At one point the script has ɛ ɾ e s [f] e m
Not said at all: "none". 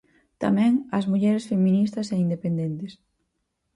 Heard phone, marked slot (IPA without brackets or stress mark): f